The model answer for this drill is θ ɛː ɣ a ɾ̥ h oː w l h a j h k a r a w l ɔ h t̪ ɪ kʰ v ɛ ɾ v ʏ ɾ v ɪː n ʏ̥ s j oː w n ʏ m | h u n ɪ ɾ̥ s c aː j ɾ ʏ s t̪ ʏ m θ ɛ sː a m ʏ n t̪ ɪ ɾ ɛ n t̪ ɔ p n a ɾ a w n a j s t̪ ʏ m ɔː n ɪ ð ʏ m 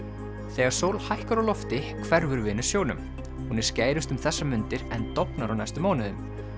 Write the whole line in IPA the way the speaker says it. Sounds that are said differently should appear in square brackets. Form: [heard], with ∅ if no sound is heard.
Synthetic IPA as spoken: θ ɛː ɣ a ɾ̥ [s] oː w l h a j h k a [ɾ] a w l ɔ [f] t̪ ɪ kʰ v ɛ ɾ v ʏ ɾ v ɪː n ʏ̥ s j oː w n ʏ m | h u n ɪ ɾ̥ s c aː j ɾ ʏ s t̪ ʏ m θ ɛ sː a m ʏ n t̪ ɪ ɾ ɛ n t̪ ɔ p n a ɾ a w n a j s t̪ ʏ m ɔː n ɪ ð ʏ m